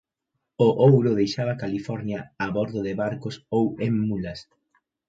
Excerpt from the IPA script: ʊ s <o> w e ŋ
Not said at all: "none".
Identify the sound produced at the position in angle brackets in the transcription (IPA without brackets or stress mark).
o